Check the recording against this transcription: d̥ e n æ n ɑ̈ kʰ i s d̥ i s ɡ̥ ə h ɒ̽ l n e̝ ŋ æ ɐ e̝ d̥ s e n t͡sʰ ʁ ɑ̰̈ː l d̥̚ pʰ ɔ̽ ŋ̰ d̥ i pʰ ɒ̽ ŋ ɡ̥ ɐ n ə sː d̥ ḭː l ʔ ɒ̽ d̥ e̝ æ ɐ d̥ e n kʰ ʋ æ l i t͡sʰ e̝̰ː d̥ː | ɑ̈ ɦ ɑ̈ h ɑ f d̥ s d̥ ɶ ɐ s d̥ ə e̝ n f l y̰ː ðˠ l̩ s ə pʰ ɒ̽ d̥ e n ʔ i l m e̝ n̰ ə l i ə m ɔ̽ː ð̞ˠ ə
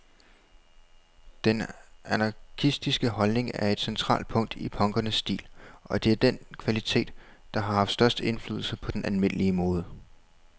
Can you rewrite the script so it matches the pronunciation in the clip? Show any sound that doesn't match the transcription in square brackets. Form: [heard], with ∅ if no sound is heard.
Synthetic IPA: d̥ e n æ n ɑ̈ kʰ i s d̥ i s ɡ̥ ə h ɒ̽ l n e̝ ŋ æ ɐ e̝ d̥ s e n t͡sʰ ʁ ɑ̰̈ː l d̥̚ pʰ ɔ̽ ŋ̰ d̥ i pʰ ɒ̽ ŋ ɡ̥ ɐ n ə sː d̥ ḭː l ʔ ɒ̽ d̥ e̝ æ ɐ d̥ e n kʰ ʋ æ l i t͡sʰ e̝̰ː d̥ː | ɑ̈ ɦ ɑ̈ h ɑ f d̥ s d̥ ɶ ɐ s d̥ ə e̝ n f l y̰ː ðˠ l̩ s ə pʰ ɒ̽ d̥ e n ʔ [æ] l m e̝ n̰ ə l i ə m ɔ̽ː ð̞ˠ ə

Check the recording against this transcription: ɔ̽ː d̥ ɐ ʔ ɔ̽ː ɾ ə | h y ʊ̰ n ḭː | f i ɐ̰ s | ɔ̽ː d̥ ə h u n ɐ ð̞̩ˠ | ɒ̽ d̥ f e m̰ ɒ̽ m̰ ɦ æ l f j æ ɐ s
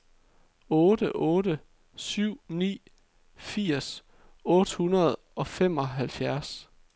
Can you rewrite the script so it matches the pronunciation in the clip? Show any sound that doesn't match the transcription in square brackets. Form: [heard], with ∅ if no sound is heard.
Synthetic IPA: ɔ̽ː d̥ [ə] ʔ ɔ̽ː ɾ ə | [s] y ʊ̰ n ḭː | f i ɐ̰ s | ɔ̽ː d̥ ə h u n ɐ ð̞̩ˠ | ɒ̽ [∅] f e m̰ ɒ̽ [∅] ɦ æ l f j æ ɐ s

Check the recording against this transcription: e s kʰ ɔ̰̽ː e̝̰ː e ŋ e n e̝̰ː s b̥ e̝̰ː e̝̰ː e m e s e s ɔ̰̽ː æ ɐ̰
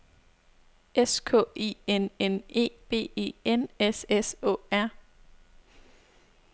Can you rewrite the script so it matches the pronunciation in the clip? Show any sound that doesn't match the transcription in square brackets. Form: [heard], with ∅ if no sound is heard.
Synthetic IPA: e s kʰ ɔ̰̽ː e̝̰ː e [n] e n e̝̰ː [∅] b̥ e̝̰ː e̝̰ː e [n] e s e s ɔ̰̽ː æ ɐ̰

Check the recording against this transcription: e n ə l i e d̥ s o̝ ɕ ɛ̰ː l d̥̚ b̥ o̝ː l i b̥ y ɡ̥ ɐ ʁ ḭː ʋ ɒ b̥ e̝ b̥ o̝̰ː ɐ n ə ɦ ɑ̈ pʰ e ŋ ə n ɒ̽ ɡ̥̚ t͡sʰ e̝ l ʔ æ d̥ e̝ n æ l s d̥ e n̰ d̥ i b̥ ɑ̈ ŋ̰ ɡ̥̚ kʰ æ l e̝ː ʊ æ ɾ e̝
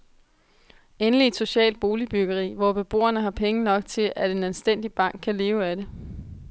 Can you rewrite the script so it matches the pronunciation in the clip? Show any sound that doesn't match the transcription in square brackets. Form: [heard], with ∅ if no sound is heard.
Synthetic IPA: e n ə l i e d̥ s o̝ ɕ ɛ̰ː l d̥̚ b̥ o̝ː l i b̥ y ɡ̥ ɐ ʁ ḭː ʋ ɒ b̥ e̝ b̥ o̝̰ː ɐ n ə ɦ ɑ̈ pʰ e ŋ ə n ɒ̽ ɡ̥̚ t͡sʰ e̝ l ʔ æ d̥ e̝ n æ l s d̥ e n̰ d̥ i b̥ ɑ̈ ŋ̰ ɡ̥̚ kʰ æ l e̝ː ʊ æ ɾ e̝

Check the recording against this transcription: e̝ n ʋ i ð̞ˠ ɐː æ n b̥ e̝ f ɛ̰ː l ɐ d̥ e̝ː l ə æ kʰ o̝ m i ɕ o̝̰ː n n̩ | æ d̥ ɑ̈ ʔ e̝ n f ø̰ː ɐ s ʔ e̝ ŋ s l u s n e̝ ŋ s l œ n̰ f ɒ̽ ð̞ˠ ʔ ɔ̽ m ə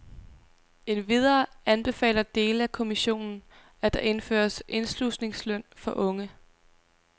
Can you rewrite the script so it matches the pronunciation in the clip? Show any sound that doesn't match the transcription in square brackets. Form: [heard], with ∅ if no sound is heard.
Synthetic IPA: e̝ n ʋ i ð̞ˠ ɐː æ n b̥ e̝ f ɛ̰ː l ɐ d̥ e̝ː l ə æ kʰ o̝ m i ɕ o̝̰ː n n̩ | æ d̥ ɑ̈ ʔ e̝ n f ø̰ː ɐ s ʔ e̝ [n] s l u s n e̝ ŋ s l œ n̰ f ɒ̽ [∅] ʔ ɔ̽ [ŋ] ə

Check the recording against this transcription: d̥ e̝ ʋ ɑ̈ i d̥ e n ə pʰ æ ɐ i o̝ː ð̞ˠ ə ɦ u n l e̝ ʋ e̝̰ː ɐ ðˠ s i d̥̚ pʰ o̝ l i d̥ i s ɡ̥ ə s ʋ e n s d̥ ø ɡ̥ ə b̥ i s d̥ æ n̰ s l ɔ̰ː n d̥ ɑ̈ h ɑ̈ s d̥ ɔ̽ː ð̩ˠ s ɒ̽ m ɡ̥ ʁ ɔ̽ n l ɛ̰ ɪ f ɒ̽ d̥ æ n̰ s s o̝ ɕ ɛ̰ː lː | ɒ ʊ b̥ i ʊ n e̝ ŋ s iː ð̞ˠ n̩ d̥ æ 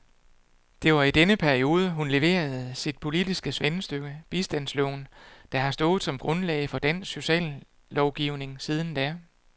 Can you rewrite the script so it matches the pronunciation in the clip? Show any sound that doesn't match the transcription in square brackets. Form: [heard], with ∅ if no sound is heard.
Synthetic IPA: d̥ e̝ ʋ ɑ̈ i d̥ e n ə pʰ æ ɐ i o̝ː ð̞ˠ ə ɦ u n l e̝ ʋ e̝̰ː ɐ ðˠ s i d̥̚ pʰ o̝ l i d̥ i s ɡ̥ ə s ʋ e n s d̥ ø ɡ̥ ə b̥ i s d̥ æ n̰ s l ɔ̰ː n d̥ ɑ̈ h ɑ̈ s d̥ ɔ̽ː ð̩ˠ s ɒ̽ m ɡ̥ ʁ ɔ̽ n l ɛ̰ ɪ f ɒ̽ d̥ æ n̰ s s o̝ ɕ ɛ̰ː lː | ɒ ʊ [ɡ̥] i ʊ n e̝ ŋ s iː ð̞ˠ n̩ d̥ æ

